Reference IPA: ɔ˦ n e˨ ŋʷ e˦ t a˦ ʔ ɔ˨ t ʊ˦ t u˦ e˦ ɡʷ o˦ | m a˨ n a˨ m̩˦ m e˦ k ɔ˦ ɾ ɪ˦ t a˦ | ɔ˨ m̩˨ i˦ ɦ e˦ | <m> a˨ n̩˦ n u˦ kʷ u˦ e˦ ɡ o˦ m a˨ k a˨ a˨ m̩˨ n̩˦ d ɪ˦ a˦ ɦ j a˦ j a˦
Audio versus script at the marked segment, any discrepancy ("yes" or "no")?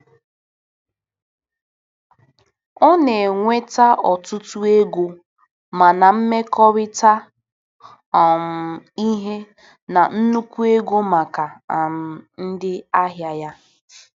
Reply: yes